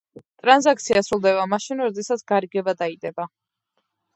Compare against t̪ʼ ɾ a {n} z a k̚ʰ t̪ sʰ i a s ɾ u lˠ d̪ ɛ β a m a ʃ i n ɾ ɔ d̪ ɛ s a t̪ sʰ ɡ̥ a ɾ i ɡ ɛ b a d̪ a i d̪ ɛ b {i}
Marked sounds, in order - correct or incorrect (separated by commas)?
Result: correct, incorrect